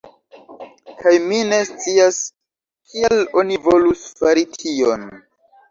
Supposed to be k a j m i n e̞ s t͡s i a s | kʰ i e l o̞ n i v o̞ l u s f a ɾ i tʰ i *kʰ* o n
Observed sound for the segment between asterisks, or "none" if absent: none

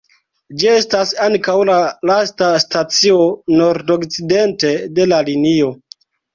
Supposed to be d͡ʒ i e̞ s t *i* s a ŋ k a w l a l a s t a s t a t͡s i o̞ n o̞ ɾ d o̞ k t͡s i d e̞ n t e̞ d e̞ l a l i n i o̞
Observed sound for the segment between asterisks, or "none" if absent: a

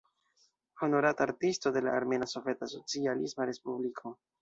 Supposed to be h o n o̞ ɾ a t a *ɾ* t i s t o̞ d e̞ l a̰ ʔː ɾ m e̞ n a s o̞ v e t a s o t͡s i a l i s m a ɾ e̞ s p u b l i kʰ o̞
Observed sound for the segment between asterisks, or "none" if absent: ɾ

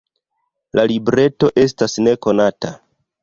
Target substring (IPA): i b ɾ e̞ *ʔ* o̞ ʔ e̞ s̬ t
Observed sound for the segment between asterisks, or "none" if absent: t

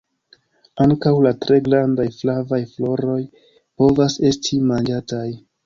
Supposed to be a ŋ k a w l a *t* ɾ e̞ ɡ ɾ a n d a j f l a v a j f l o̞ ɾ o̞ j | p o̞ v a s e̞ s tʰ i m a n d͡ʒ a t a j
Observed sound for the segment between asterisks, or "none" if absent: t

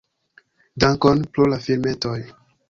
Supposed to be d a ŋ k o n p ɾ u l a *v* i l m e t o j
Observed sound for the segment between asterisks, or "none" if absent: f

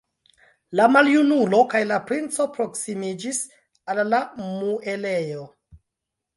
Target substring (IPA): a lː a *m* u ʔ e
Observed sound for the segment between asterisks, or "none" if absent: m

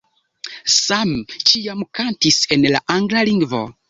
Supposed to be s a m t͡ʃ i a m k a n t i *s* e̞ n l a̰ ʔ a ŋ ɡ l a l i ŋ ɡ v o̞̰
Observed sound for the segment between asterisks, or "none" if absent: s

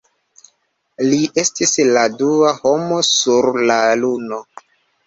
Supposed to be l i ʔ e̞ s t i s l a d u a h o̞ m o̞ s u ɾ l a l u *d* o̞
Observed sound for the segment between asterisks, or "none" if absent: n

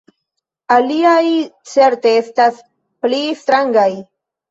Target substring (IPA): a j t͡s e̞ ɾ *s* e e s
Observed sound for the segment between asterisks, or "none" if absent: t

